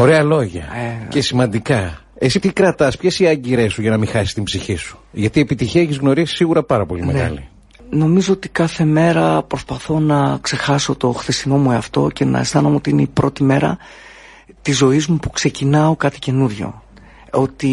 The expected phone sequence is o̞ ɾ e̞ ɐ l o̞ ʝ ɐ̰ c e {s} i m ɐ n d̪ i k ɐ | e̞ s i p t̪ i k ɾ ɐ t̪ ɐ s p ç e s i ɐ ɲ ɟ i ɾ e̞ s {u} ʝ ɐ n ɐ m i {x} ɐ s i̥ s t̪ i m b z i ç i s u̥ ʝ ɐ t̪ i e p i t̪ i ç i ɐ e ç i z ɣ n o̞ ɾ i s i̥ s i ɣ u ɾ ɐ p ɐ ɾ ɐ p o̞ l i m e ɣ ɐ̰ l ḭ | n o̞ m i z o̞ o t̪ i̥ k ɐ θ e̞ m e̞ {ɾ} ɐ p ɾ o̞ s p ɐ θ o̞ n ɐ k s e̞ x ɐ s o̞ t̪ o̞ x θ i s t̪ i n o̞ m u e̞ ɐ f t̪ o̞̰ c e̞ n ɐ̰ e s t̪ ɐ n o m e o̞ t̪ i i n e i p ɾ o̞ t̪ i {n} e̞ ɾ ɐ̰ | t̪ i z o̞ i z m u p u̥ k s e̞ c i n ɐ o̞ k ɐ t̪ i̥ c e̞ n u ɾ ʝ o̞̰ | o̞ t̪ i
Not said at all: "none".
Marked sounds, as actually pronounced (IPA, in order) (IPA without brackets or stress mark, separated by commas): s, u, x, ɾ, m